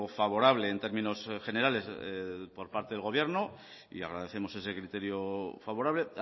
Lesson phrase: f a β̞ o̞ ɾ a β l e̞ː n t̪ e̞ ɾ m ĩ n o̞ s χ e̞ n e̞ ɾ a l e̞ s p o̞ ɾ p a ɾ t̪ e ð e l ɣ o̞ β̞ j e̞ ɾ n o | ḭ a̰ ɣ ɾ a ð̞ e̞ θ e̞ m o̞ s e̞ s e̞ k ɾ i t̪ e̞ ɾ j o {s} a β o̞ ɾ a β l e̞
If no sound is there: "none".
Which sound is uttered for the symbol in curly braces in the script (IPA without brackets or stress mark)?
f